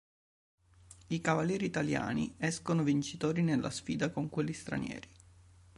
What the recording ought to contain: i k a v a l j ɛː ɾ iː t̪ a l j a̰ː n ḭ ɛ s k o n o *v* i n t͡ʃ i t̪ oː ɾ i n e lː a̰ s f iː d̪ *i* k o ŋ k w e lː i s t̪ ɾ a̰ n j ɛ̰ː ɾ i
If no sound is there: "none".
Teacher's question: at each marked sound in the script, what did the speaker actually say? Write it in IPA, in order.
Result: v, a

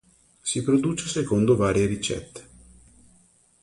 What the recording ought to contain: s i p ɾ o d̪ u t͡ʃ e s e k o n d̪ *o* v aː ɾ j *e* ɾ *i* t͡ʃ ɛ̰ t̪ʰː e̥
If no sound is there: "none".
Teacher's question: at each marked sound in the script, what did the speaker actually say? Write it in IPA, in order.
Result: o, e, i

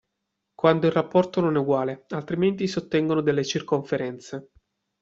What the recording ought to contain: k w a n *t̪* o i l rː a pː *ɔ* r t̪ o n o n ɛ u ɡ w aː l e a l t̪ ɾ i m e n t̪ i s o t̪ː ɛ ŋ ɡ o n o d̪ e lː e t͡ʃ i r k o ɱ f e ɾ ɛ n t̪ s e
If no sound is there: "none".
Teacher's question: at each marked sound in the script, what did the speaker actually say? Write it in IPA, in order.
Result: d̪, ɔ

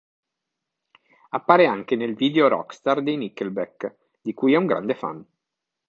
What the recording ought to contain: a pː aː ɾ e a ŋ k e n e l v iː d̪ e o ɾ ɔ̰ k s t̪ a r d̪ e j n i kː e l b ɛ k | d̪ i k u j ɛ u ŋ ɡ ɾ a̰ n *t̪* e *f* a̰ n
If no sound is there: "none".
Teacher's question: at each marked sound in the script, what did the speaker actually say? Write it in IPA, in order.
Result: d̪, f

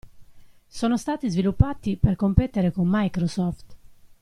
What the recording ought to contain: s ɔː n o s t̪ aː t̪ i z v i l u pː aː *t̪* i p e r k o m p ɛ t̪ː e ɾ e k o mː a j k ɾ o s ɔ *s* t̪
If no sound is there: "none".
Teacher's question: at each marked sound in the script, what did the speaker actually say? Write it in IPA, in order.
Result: t̪, f

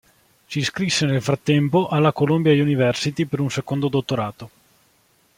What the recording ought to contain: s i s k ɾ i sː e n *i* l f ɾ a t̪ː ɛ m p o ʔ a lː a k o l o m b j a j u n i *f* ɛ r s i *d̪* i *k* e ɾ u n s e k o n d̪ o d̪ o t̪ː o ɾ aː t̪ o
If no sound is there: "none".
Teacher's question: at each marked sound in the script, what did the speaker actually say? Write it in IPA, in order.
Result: e, v, t̪, p

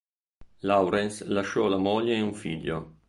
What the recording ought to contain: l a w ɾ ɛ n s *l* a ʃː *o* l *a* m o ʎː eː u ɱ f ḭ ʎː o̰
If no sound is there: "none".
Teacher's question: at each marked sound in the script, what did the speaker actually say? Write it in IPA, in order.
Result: l, ɔ, a

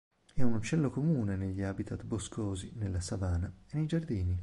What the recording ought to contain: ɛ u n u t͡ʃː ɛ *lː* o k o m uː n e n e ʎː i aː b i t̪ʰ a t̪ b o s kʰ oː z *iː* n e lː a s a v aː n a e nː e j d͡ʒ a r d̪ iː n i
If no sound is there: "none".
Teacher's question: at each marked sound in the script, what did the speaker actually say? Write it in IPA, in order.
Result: lː, i

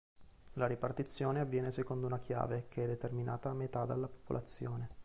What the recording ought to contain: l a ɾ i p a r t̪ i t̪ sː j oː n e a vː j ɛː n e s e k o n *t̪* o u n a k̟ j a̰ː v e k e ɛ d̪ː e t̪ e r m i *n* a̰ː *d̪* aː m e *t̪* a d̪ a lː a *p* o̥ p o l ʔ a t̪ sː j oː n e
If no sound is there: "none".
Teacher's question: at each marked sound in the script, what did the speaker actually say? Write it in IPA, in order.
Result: d̪, n, t̪, t̪, p

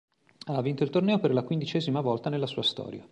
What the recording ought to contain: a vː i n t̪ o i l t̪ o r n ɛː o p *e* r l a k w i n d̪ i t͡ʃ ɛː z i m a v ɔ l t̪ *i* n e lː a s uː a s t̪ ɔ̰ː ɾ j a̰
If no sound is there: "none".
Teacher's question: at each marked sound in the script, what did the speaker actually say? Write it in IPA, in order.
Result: e, a

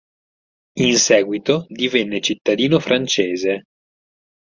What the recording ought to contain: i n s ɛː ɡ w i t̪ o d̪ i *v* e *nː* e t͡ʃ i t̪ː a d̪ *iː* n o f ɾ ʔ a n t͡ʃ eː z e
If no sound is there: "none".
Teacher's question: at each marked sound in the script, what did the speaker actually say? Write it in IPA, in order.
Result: v, nː, iː

